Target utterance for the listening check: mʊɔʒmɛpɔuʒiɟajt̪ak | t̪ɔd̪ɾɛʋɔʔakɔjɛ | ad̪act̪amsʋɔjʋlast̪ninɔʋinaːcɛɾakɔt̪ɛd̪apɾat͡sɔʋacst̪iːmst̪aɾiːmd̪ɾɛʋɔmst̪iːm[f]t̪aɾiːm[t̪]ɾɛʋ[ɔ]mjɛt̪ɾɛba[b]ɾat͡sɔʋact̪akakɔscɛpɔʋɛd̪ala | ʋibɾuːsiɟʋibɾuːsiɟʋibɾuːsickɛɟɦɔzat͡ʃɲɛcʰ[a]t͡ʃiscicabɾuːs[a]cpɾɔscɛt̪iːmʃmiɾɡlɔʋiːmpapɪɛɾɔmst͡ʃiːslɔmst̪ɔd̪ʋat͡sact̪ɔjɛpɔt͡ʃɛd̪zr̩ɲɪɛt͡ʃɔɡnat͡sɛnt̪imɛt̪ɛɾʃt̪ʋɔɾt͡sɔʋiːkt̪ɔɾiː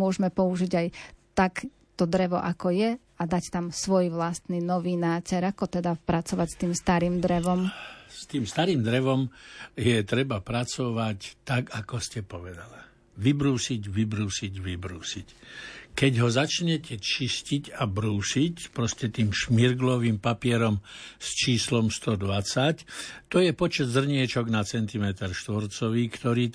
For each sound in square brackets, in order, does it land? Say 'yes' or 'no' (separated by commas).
no, no, yes, no, no, no